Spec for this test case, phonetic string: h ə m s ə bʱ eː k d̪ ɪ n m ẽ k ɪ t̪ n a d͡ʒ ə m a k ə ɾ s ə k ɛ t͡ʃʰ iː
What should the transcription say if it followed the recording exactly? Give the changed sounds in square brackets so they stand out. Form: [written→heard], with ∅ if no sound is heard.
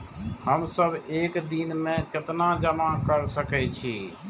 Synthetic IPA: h ə m s ə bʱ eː k d̪ [ɪ→i] n m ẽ k ɪ t̪ n a d͡ʒ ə m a k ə ɾ s ə k ɛ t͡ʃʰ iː